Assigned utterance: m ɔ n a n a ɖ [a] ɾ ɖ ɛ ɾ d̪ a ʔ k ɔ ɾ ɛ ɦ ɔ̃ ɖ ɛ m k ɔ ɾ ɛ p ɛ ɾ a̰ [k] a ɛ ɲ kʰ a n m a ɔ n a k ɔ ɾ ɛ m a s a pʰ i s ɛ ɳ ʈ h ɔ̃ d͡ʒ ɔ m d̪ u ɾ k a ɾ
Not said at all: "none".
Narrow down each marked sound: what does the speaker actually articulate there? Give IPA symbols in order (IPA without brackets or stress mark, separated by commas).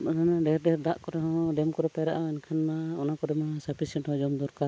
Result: ɛ, ʔ